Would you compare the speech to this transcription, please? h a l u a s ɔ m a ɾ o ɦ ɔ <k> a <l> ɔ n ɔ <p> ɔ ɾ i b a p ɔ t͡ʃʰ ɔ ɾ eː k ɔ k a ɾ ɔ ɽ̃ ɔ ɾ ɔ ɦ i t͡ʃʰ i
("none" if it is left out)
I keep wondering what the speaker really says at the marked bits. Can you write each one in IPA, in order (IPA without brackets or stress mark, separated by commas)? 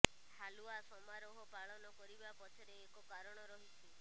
p, ɭ, k